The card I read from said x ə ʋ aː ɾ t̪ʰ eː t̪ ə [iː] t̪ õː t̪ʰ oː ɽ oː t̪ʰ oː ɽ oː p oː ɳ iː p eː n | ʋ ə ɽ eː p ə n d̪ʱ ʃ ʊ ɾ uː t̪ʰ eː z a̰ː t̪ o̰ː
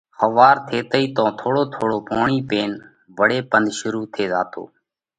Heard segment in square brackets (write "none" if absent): iː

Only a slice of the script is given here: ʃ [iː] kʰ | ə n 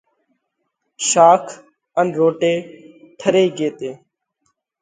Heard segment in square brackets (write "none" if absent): aː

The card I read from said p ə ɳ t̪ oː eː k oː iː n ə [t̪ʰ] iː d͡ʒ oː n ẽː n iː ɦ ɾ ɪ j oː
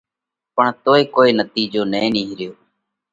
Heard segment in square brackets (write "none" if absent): t̪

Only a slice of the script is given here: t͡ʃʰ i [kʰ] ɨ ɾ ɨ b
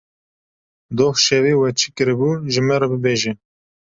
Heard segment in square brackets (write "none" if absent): k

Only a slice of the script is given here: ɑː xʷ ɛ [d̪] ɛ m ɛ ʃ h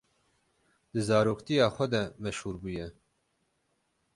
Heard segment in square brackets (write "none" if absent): d̪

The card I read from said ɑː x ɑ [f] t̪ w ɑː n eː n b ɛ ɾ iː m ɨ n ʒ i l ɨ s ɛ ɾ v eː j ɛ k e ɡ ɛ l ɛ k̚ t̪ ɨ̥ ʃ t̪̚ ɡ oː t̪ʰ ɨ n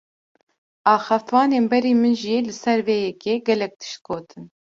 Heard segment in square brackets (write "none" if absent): f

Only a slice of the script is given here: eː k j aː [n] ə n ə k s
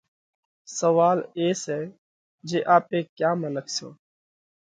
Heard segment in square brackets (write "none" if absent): m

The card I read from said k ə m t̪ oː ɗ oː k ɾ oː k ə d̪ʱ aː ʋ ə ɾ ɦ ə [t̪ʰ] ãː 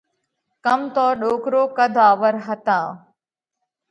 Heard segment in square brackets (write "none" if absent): t̪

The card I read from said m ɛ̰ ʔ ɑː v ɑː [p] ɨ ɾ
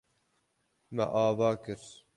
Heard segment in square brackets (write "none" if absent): k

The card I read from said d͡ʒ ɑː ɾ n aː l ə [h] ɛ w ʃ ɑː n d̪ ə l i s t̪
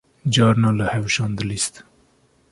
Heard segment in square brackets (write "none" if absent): h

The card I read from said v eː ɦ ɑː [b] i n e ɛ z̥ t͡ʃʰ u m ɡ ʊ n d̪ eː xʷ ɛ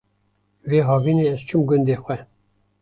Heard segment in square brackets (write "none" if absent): v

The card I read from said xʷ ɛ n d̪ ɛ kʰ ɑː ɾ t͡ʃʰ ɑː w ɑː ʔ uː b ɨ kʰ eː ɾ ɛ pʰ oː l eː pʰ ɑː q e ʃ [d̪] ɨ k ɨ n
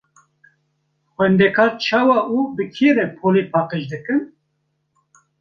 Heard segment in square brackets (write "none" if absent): d̪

